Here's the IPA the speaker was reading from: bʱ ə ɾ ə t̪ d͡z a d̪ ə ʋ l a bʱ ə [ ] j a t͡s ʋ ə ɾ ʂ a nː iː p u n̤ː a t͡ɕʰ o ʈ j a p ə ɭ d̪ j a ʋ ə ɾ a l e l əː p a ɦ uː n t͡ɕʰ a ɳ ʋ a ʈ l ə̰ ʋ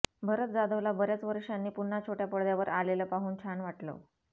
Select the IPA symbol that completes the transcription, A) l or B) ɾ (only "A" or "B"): B